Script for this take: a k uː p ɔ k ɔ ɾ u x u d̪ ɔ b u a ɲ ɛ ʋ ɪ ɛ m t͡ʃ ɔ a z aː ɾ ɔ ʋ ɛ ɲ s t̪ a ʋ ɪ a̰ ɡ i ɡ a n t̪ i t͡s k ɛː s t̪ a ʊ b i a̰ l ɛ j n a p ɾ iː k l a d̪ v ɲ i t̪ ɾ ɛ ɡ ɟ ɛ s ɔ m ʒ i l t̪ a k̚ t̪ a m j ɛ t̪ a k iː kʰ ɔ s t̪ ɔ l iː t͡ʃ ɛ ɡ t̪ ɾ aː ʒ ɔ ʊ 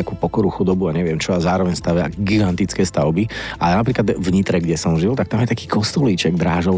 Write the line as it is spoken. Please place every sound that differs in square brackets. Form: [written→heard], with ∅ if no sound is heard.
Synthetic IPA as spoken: a k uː p ɔ k ɔ ɾ u x u d̪ ɔ b u a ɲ ɛ ʋ ɪ ɛ m t͡ʃ ɔ a z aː ɾ ɔ ʋ ɛ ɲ s t̪ a ʋ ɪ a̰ ɡ i ɡ a n t̪ i t͡s k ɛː s t̪ a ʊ b i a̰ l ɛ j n a p ɾ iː k l a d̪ v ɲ i t̪ ɾ ɛ ɡ ɟ ɛ s ɔ m ʒ i l t̪ a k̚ t̪ a m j ɛ t̪ a k iː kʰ ɔ s t̪ ɔ l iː t͡ʃ ɛ ɡ [t̪→d̪] ɾ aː ʒ ɔ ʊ